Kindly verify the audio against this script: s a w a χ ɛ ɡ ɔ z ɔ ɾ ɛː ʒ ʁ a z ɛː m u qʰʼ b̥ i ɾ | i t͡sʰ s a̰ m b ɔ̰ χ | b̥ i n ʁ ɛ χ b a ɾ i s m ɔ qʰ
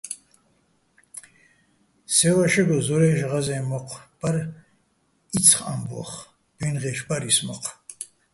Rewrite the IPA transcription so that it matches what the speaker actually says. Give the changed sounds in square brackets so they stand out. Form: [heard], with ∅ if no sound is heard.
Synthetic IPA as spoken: s [ɛ] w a [ʃ] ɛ ɡ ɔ z ɔ ɾ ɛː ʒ ʁ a z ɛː m [ɔ] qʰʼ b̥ [a] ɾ | i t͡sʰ [χ] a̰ m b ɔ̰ χ | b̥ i n ʁ ɛ [ʃ] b a ɾ i s m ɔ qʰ

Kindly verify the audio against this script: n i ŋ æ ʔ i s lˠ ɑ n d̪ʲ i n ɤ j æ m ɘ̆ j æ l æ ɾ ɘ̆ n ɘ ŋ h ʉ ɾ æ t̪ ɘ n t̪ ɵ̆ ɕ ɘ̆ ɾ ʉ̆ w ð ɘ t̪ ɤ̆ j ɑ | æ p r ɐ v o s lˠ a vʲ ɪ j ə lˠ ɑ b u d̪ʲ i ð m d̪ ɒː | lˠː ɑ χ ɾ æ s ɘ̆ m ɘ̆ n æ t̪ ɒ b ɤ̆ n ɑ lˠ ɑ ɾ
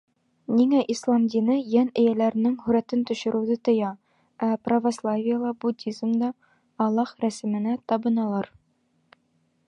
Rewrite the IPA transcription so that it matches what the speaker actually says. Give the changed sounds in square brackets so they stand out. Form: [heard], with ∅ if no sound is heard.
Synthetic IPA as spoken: n i ŋ æ ʔ i s lˠ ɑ [m] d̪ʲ i n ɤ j æ [n] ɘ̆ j æ l æ ɾ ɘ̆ n ɘ ŋ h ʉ ɾ æ t̪ ɘ n t̪ ɵ̆ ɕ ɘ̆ ɾ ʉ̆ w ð ɘ t̪ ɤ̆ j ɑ | æ p r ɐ v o s lˠ a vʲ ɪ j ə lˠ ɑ b u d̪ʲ i [z] m d̪ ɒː | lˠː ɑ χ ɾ æ s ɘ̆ m ɘ̆ n æ t̪ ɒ b ɤ̆ n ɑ lˠ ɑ ɾ

